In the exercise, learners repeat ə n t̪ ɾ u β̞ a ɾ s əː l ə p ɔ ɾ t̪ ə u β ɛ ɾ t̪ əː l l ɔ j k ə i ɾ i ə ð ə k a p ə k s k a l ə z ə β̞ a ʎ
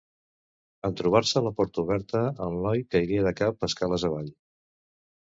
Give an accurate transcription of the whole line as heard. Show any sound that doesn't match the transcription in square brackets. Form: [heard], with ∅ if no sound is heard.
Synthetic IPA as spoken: ə n t̪ ɾ u β̞ a ɾ s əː l ə p ɔ ɾ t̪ ə u β ɛ ɾ t̪ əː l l ɔ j k ə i ɾ i ə ð ə k a p ə [∅] s k a l ə z ə β̞ a ʎ